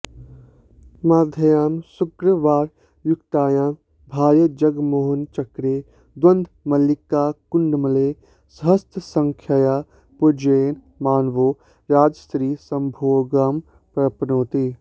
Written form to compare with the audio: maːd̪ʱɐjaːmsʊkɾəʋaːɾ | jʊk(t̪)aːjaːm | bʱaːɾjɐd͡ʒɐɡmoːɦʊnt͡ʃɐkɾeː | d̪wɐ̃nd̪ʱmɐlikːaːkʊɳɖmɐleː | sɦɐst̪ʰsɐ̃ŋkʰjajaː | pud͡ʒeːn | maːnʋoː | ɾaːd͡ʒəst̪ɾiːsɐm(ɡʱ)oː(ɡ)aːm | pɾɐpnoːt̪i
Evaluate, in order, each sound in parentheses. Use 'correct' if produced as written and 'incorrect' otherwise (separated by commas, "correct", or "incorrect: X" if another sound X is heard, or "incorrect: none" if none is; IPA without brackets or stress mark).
correct, incorrect: bʱ, correct